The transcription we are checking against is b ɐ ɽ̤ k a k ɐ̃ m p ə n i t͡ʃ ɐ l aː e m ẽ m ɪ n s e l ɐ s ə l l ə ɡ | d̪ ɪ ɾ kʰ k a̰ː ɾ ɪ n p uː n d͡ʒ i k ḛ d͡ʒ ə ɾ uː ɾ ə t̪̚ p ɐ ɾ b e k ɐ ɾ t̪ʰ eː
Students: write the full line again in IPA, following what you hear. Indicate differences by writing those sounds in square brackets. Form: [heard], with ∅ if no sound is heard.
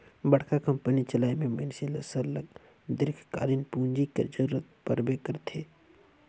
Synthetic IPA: b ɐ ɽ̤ k a k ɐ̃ m p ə n i t͡ʃ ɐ l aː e m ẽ m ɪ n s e l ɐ s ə [ɾ] l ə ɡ | d̪ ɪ ɾ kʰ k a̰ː ɾ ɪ n p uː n d͡ʒ i k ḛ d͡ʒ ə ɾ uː ɾ ə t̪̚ p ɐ ɾ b e k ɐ ɾ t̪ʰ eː